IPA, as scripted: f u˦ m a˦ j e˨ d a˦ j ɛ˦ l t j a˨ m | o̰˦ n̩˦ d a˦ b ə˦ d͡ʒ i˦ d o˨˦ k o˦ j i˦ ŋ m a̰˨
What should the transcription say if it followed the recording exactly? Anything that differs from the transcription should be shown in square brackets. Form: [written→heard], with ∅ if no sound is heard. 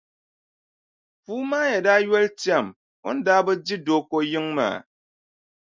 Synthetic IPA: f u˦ m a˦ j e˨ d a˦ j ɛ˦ l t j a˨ m | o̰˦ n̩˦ d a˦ b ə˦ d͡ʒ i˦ d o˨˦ k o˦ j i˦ ŋ m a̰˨